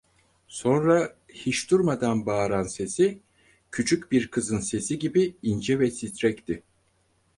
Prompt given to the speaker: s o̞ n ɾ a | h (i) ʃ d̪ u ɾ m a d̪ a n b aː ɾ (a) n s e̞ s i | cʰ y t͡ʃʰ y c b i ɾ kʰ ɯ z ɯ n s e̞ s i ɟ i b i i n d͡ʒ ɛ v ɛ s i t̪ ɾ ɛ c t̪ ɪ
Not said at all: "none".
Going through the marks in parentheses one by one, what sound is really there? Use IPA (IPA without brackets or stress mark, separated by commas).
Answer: i, a